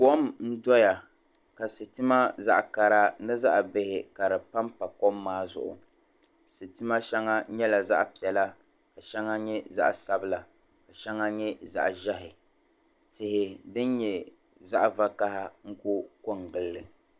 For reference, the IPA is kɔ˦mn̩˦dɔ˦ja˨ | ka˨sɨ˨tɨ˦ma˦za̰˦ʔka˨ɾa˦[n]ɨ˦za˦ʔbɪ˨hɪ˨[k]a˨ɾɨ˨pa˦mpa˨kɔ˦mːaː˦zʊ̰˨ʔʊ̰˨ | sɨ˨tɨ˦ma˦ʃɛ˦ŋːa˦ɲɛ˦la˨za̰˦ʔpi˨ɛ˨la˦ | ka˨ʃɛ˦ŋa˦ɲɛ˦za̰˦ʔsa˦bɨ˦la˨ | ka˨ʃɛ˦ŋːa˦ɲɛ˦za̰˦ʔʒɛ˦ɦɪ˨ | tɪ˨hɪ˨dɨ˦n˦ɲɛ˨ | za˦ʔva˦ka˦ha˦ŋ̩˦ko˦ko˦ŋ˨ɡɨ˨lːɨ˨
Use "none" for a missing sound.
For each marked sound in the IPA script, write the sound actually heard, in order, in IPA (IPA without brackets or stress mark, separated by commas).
n, k